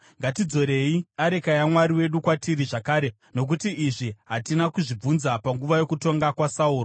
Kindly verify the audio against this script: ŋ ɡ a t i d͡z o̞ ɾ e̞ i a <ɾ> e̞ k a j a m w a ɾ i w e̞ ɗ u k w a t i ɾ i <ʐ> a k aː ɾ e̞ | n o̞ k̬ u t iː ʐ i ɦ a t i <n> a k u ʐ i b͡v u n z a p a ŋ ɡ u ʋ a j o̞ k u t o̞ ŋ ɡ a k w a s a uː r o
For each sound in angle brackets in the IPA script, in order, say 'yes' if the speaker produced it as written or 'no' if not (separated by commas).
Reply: yes, yes, yes